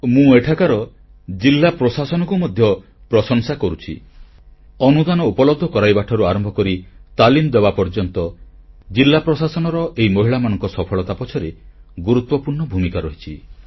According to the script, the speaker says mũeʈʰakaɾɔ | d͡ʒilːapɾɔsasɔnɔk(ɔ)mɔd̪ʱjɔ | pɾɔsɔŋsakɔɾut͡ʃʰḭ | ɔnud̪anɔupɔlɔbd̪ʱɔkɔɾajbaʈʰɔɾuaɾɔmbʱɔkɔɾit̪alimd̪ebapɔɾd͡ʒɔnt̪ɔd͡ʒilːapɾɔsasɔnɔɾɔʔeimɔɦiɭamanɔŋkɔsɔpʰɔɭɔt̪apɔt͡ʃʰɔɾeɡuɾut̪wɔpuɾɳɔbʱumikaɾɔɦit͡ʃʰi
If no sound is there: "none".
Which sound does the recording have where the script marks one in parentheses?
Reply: u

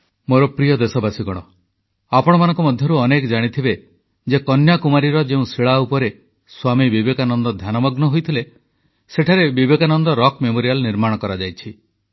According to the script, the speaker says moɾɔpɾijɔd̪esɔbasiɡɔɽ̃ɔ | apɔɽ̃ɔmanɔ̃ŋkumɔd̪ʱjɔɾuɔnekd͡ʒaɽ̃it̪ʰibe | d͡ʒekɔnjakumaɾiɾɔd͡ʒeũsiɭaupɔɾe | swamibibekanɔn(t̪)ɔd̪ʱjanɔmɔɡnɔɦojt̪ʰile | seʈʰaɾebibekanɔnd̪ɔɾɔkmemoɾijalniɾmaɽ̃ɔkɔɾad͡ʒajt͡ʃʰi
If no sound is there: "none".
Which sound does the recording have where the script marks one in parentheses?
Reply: d̪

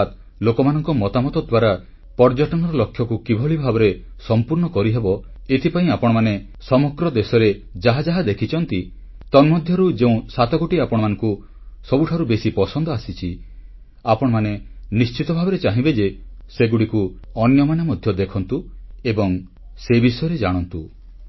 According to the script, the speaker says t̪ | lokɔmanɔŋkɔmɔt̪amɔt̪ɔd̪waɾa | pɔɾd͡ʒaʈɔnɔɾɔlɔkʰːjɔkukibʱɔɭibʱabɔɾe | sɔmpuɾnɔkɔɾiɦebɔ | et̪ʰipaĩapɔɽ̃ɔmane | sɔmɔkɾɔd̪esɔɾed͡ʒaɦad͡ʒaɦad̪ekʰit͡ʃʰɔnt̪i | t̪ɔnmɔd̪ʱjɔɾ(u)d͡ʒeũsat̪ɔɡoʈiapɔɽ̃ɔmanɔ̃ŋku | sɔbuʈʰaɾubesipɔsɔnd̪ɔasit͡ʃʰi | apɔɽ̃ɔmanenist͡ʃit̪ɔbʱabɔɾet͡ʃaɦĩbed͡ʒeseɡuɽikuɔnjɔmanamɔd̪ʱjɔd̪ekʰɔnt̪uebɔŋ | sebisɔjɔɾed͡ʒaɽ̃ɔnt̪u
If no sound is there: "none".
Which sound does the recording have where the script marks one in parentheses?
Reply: u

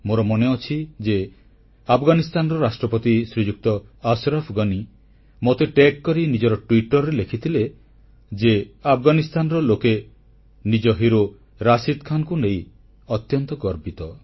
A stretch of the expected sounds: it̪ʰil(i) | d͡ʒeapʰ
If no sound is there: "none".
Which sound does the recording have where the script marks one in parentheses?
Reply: e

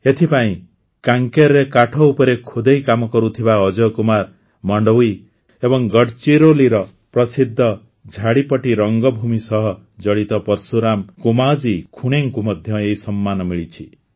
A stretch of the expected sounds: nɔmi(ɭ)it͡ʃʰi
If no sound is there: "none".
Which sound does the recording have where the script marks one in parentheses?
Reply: ɭ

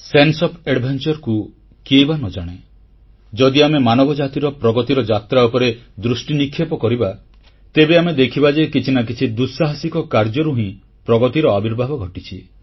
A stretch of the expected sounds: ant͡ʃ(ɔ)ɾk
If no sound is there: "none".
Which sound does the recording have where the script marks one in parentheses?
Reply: ɔ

